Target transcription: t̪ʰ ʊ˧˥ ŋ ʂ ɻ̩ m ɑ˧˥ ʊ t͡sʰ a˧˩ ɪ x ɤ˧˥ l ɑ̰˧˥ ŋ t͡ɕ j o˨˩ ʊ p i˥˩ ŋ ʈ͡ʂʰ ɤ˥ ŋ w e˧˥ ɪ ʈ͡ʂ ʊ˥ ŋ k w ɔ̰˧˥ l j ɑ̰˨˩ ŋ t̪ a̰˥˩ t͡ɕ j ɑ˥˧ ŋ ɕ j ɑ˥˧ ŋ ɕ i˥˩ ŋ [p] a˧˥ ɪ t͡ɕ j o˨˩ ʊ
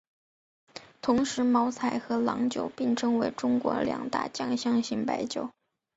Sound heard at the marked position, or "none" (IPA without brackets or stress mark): p